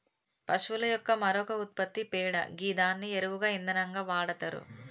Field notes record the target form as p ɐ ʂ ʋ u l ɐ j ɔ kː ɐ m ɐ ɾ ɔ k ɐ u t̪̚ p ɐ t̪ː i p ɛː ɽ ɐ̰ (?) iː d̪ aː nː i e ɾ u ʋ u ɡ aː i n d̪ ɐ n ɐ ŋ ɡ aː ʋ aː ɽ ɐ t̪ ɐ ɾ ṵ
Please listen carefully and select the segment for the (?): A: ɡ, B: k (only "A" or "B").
A